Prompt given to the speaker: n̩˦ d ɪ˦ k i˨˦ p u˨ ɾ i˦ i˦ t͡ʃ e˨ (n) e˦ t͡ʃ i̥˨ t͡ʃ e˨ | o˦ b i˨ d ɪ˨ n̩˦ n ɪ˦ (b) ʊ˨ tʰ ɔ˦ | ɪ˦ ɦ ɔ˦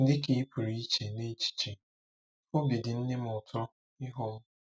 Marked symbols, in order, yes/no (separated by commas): yes, no